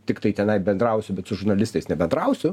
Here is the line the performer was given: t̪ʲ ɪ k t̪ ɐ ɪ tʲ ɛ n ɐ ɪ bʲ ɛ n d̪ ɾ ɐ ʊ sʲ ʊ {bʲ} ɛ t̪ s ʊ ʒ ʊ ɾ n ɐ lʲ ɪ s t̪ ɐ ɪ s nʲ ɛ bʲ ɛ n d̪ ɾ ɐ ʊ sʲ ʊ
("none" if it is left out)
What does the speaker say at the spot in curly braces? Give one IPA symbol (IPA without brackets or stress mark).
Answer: bʲ